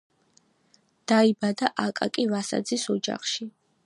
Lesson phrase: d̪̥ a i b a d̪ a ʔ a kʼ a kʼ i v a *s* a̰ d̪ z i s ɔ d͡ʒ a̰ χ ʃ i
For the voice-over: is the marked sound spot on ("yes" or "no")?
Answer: yes